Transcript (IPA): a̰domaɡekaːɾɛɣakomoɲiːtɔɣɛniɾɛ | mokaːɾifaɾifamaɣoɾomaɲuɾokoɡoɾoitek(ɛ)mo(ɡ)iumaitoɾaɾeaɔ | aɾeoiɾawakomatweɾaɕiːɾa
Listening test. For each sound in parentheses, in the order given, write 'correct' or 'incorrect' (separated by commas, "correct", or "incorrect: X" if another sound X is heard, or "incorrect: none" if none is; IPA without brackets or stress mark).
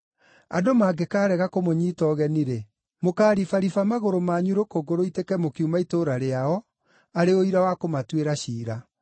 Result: correct, incorrect: k